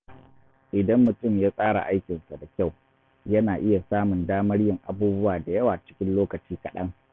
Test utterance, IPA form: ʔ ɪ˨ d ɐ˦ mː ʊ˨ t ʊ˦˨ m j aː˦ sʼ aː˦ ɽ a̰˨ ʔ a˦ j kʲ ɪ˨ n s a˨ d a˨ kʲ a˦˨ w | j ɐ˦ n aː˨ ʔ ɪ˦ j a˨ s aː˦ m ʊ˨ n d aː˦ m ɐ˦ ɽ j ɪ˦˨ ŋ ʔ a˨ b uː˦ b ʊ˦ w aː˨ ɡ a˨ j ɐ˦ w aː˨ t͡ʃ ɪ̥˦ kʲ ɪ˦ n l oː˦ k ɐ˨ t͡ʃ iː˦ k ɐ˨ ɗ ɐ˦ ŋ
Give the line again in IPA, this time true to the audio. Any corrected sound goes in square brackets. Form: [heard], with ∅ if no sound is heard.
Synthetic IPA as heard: ʔ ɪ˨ d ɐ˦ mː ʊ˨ t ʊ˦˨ m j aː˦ sʼ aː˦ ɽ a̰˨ ʔ a˦ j kʲ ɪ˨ n s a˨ d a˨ kʲ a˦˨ w | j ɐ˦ n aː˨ ʔ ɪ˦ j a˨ s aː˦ m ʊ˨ n d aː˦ m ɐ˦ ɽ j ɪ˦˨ ŋ ʔ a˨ b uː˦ b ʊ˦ w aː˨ [d] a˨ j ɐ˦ w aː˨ t͡ʃ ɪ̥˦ kʲ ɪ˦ n l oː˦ k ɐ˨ t͡ʃ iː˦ k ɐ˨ ɗ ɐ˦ ŋ